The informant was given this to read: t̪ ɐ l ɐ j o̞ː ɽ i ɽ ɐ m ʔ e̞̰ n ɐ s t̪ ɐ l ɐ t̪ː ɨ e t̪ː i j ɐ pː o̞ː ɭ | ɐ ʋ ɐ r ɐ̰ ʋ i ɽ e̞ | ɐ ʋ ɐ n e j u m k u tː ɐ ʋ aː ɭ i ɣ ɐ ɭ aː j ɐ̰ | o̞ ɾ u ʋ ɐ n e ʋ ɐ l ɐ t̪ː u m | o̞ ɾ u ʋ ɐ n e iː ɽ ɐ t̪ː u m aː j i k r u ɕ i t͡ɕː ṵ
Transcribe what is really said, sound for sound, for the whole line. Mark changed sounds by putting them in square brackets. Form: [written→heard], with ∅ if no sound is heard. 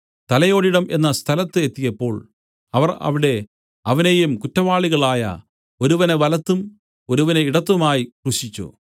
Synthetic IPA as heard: t̪ ɐ l ɐ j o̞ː ɽ i ɽ ɐ m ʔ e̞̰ [n→nː] ɐ s [t̪→t̪ʰ] ɐ l ɐ t̪ː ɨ e t̪ː i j ɐ pː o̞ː ɭ | ɐ ʋ ɐ r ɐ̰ ʋ i ɽ e̞ | ɐ ʋ ɐ n e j u m k u tː ɐ ʋ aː ɭ i ɣ ɐ ɭ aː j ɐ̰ | o̞ ɾ u ʋ ɐ n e ʋ ɐ l ɐ t̪ː u m | o̞ ɾ u ʋ ɐ n e [iː→i] ɽ ɐ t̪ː u m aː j i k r u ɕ i t͡ɕː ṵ